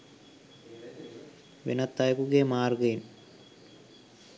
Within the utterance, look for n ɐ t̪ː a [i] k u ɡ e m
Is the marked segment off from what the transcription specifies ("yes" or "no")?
yes